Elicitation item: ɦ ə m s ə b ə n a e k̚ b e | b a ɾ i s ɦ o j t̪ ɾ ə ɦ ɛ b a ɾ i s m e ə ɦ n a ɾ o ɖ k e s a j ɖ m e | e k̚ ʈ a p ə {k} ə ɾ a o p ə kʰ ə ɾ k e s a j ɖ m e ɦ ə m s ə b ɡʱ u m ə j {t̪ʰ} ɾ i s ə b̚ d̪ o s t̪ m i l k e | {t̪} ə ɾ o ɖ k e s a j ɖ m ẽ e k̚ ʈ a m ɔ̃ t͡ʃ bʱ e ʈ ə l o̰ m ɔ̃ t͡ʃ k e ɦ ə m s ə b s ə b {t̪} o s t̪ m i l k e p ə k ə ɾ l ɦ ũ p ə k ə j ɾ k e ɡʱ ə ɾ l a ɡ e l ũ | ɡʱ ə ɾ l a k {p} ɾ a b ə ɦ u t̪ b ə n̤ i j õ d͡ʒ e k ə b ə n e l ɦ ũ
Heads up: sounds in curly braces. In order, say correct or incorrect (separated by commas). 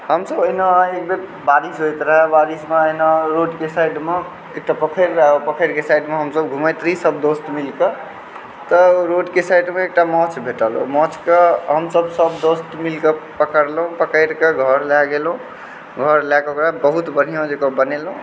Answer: incorrect, incorrect, correct, incorrect, incorrect